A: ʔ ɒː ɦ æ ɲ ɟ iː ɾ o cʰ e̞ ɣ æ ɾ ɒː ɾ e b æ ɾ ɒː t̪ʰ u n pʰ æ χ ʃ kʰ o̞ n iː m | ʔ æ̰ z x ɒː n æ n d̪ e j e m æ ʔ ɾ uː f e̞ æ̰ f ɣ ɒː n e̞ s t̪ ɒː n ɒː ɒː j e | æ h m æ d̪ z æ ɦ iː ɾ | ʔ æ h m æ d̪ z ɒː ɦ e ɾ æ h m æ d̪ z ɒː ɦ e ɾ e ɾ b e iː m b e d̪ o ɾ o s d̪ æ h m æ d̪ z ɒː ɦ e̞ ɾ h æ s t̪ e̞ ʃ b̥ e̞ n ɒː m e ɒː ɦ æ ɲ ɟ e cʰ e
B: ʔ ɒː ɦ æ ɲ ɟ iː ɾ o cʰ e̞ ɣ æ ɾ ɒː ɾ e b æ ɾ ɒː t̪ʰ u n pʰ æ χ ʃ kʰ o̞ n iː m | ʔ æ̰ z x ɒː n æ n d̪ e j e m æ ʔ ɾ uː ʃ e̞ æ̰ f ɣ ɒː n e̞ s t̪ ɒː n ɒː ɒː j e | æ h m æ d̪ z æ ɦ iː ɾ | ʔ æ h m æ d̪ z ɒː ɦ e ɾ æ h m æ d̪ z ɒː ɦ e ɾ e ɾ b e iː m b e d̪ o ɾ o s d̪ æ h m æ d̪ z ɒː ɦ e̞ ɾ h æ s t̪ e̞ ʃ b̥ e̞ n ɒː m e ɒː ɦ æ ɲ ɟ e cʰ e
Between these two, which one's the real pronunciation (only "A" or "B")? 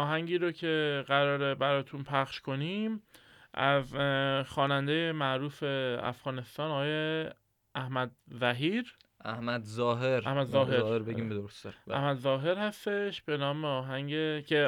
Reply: A